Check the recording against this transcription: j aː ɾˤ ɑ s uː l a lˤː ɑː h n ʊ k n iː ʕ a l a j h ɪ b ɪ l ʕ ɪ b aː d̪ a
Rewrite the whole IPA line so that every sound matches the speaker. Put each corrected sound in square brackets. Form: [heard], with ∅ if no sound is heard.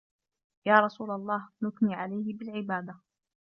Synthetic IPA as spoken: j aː ɾˤ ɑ s uː l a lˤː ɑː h n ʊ k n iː ʕ a l a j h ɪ b ɪ l ʕ ɪ b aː d̪ a